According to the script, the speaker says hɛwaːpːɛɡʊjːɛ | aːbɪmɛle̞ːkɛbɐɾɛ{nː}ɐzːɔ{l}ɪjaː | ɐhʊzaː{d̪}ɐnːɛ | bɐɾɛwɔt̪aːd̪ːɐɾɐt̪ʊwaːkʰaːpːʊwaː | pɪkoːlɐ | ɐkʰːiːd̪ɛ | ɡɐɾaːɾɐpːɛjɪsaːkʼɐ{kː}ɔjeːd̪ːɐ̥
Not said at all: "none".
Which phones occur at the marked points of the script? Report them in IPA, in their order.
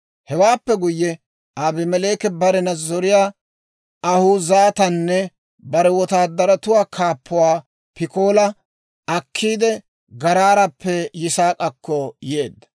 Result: n, ɾ, t̪, kː

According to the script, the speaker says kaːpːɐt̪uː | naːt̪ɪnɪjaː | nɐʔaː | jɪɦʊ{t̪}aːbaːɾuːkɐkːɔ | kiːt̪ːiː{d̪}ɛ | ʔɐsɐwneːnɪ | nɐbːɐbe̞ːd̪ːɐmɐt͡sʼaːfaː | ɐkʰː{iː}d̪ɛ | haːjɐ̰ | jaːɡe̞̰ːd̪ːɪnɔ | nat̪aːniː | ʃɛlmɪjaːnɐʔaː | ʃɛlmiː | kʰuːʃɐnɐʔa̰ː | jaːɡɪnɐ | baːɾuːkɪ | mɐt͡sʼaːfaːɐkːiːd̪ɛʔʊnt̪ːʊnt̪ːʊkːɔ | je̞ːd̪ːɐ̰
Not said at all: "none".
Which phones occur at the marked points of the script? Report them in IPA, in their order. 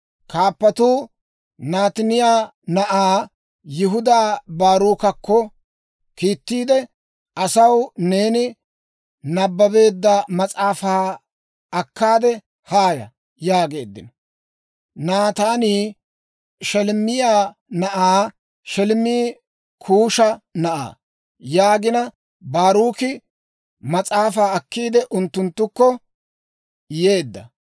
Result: d̪, d̪, aː

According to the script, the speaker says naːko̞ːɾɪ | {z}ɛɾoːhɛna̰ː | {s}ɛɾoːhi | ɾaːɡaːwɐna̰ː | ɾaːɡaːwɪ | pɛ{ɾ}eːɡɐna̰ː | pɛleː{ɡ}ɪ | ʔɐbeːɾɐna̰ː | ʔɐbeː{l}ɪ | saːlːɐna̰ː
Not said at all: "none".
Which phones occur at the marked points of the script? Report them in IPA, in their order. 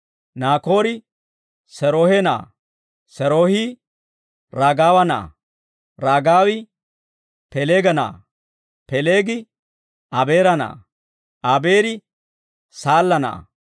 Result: s, s, l, ɡ, ɾ

